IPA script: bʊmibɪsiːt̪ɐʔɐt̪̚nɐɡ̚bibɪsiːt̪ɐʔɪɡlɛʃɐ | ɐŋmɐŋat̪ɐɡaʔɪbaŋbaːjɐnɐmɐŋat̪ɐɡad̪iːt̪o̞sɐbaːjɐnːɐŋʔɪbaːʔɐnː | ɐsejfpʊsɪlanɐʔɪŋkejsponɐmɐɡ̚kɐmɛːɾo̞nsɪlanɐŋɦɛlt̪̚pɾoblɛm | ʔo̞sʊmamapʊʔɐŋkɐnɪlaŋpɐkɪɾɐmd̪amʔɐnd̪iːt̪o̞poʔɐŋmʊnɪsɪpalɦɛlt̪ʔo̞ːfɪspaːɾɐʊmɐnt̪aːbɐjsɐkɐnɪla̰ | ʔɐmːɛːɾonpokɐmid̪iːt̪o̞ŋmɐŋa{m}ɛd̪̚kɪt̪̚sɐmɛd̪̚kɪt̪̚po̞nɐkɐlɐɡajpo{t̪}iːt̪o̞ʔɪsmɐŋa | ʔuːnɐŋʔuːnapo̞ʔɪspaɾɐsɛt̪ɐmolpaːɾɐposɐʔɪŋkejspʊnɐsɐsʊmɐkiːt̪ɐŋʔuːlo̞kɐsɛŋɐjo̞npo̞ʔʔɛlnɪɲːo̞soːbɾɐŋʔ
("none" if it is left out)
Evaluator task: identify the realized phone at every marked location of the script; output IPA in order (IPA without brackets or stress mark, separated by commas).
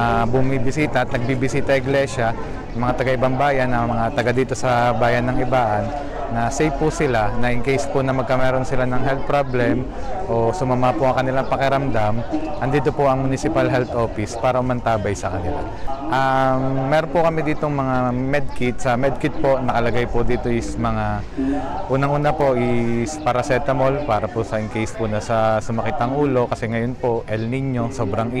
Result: m, d̪